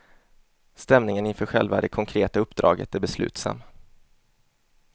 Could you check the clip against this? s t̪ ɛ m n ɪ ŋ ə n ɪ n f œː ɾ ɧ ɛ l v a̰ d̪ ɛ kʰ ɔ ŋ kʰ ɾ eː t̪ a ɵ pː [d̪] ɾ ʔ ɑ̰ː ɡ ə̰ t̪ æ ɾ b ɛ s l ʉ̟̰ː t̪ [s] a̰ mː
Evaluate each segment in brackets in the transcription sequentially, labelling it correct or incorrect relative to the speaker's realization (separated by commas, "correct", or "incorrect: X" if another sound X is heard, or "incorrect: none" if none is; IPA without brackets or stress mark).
correct, correct